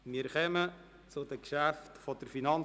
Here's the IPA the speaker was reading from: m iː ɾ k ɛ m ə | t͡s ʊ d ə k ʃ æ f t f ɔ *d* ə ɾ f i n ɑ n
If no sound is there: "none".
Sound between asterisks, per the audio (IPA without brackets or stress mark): d